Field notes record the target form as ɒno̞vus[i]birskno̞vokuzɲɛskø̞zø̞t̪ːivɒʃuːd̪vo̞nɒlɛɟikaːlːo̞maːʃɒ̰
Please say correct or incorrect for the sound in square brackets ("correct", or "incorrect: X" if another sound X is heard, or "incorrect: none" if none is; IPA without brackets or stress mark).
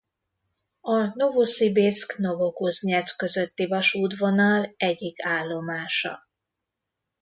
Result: correct